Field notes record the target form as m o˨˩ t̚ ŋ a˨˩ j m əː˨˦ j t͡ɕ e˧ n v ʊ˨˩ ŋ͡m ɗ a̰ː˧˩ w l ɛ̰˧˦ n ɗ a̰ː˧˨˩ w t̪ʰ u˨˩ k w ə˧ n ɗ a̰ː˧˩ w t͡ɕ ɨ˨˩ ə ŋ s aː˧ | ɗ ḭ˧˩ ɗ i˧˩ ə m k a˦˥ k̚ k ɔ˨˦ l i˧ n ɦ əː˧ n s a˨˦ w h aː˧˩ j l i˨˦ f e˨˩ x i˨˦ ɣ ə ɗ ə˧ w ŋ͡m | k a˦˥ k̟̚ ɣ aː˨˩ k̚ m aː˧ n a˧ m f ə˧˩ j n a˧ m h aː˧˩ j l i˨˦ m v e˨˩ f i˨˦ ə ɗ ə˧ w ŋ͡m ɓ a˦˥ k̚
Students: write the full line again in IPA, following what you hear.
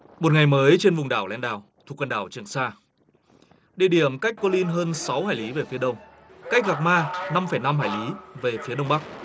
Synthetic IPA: m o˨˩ t̚ ŋ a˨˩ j m əː˨˦ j t͡ɕ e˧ n v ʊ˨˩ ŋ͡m ɗ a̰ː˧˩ w l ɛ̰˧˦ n ɗ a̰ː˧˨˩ w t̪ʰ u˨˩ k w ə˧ n ɗ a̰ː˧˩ w t͡ɕ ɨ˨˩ ə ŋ s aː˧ | ɗ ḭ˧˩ ɗ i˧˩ ə m k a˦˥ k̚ k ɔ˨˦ l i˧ n ɦ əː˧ n s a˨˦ w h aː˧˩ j l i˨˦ v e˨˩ f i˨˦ ə ɗ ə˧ w ŋ͡m | k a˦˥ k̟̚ ɣ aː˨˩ k̚ m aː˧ n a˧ m f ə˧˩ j n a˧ m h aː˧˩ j l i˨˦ v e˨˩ f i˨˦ ə ɗ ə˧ w ŋ͡m ɓ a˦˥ k̚

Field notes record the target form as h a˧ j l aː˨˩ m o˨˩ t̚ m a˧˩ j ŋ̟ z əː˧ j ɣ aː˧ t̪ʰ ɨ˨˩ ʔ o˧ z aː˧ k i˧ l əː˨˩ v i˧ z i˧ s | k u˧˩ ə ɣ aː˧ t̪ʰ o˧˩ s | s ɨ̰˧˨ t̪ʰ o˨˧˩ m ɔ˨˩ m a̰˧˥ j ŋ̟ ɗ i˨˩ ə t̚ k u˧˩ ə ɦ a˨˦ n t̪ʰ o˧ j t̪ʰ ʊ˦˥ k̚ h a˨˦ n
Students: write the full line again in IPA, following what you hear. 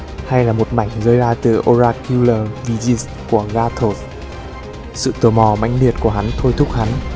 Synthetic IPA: h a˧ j l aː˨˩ m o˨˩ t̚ m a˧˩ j ŋ̟ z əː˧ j z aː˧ t̪ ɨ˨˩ ʔ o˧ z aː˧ k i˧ l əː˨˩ v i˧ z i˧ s | k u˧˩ ə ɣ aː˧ t̪ʰ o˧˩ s | s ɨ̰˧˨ t̪ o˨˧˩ m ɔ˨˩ m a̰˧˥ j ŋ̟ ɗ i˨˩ ə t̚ k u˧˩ ə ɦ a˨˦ n t̪ʰ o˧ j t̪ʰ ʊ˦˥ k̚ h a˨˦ n

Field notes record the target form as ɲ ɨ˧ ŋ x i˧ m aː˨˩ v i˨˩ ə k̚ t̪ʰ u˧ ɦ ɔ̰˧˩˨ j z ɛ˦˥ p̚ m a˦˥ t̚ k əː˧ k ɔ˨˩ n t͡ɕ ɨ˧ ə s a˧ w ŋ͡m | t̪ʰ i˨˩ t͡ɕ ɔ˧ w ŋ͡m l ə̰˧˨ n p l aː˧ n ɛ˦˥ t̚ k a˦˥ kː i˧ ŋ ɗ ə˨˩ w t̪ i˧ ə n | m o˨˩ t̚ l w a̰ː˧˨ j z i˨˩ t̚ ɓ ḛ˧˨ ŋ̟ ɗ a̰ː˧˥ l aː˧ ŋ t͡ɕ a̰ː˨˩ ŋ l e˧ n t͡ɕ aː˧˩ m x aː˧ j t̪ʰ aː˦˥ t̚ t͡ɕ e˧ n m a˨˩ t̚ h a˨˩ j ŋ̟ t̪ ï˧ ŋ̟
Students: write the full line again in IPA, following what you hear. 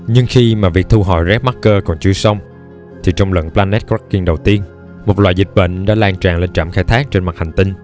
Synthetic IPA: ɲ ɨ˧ ŋ x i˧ m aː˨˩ v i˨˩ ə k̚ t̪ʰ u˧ ɦ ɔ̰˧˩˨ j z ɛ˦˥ p̚ m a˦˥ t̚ k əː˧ k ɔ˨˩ n t͡ɕ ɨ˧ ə s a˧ w ŋ͡m | t̪ʰ i˨˩ t͡ɕ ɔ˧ w ŋ͡m l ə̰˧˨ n p l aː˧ n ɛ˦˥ t̚ k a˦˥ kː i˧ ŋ ɗ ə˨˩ w t̪ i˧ ə n | m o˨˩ t̚ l w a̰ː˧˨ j z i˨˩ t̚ ɓ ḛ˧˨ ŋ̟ ɗ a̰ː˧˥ l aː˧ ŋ t͡ɕ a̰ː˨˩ ŋ l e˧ n t͡ɕ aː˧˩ m x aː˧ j t̪ʰ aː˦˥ k̚ t͡ɕ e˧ n m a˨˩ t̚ h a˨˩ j ŋ̟ t̪ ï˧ ŋ̟

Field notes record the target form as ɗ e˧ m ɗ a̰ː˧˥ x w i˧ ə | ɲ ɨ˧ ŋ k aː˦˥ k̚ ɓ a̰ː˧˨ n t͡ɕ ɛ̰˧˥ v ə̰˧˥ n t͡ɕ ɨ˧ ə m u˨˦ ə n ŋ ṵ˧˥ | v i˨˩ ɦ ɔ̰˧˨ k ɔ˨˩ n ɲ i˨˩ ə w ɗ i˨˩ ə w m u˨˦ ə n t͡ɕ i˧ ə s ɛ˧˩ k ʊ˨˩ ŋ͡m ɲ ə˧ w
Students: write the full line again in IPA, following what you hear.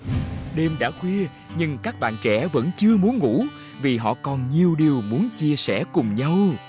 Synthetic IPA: ɗ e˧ m ɗ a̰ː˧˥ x w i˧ ə | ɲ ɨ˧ ŋ k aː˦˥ k̚ ɓ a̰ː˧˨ n t͡ɕ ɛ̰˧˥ v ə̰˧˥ n t͡ɕ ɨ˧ ə m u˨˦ ə n ŋ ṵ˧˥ | v i˨˩ ɦ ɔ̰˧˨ k ɔ˨˩ n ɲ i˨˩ ə w ɗ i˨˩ ə w m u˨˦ ə n t͡ɕ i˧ ə s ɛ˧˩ k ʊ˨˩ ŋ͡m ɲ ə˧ w

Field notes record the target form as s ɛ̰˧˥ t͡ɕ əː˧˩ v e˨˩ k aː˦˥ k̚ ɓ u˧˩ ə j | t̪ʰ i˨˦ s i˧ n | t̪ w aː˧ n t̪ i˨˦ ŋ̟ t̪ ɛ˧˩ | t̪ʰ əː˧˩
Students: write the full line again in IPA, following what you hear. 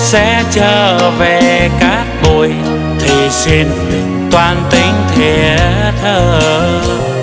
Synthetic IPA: s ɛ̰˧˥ t͡ɕ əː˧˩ v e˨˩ k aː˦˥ k̚ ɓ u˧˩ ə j | t̪ʰ i˨˩ s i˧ n | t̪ w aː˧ n t̪ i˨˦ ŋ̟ t̪ʰ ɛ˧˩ | t̪ʰ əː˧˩

